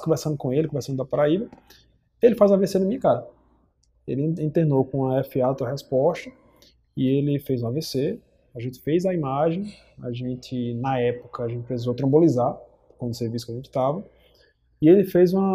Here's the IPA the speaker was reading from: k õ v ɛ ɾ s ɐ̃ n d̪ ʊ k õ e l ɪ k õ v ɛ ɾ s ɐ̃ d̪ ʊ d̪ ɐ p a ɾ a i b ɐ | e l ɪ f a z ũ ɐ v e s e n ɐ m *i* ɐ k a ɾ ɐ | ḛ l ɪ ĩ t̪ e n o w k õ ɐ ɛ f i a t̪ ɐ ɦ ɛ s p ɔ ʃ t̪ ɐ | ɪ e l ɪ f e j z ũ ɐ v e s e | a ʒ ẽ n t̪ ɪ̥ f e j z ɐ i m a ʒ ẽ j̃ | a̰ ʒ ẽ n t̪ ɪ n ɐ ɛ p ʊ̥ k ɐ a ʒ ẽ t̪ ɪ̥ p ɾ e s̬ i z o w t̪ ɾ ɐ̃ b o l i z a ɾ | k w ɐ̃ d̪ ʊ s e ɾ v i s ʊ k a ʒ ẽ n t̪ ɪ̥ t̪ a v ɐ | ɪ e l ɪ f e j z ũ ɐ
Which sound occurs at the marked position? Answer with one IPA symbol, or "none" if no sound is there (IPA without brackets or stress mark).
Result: ĩ